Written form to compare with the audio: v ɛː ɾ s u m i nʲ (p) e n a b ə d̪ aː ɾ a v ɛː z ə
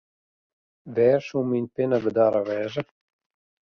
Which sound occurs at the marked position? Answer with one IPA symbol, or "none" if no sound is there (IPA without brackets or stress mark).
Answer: p